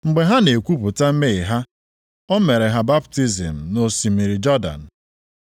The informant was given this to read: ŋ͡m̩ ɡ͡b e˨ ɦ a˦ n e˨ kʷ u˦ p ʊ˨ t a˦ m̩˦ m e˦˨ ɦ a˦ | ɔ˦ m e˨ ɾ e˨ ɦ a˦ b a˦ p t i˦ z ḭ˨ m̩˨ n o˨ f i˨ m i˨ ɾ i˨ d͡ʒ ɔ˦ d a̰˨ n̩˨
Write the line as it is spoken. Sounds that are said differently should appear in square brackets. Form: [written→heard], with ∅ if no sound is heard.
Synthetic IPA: ŋ͡m̩ ɡ͡b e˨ ɦ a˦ n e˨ kʷ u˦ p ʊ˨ t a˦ m̩˦ m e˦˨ ɦ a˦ | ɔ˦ m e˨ ɾ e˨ ɦ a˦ b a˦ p t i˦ z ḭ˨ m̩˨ n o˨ [f→s] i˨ m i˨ ɾ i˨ d͡ʒ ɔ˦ d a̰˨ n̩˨